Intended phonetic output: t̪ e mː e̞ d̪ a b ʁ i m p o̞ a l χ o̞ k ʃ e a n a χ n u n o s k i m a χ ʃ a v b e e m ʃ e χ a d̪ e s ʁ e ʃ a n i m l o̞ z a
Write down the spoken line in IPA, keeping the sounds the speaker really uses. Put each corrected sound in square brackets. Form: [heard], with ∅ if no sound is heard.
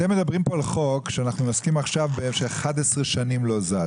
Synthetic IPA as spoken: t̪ e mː e̞ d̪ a b ʁ i m p o̞ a l χ o̞ k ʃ e a n a χ n u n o s k i m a χ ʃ a v b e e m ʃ e χ a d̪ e s ʁ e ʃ a n i m l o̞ z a